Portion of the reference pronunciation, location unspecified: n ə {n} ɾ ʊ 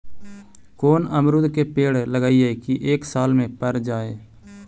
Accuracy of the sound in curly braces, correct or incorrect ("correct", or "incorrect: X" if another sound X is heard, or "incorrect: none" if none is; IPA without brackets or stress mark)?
incorrect: m